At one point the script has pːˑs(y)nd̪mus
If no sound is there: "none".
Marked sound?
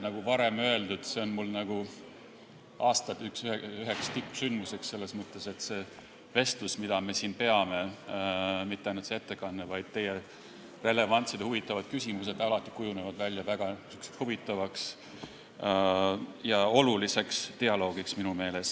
y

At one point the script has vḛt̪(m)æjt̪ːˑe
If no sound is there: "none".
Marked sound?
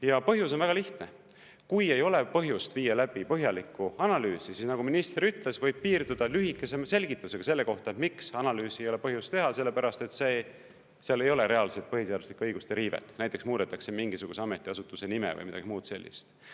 n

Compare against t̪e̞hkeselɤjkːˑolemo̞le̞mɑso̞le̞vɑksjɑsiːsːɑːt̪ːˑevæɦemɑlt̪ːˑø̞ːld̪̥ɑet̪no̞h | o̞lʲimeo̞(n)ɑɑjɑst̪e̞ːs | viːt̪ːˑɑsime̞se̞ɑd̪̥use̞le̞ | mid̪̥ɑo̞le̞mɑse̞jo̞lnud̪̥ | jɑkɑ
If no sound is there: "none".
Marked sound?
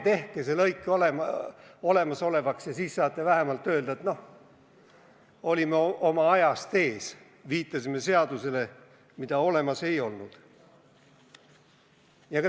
m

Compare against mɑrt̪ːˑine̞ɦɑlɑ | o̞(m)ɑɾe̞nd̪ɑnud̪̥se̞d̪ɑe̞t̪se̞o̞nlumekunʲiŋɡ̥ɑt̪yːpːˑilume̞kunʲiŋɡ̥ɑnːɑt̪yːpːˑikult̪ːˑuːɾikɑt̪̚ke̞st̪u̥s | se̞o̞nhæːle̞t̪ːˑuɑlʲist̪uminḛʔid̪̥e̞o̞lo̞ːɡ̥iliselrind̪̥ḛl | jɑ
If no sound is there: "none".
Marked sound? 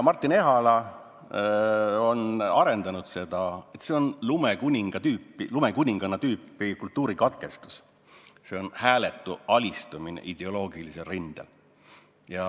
n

